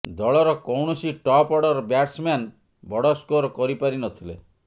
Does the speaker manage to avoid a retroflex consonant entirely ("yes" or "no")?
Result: no